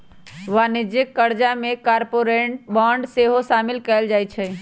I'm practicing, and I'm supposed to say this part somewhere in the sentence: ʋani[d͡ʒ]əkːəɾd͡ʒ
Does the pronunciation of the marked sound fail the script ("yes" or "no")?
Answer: no